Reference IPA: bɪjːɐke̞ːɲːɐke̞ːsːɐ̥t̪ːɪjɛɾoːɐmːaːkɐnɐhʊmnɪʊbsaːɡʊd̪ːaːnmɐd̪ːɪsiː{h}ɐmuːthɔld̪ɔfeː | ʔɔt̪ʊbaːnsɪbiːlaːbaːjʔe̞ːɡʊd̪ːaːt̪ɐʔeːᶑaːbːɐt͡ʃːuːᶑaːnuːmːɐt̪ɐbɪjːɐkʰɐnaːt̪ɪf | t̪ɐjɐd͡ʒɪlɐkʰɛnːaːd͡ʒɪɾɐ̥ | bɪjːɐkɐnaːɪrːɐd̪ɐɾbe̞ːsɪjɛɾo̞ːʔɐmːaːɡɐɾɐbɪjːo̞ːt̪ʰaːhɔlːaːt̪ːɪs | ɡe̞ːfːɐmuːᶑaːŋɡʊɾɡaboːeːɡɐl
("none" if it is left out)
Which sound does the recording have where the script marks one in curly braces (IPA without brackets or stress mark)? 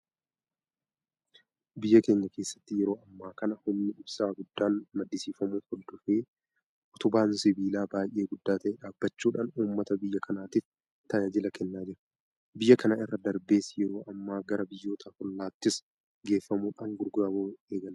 f